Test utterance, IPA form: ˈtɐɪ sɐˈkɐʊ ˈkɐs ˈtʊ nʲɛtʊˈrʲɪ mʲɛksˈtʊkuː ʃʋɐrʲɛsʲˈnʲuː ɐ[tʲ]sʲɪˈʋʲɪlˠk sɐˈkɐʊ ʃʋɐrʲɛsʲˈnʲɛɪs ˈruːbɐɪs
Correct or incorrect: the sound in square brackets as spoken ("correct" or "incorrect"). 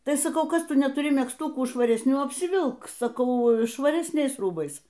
incorrect